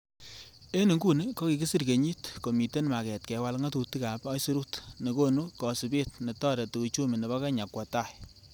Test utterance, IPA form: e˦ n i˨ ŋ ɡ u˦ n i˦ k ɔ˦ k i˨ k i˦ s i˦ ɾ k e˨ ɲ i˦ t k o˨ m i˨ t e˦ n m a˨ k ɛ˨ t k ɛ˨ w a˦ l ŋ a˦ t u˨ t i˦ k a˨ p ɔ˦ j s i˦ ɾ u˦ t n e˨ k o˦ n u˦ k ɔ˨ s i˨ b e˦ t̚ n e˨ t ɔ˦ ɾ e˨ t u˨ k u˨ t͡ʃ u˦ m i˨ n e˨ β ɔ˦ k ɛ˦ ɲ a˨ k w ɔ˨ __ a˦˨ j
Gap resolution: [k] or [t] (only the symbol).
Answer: t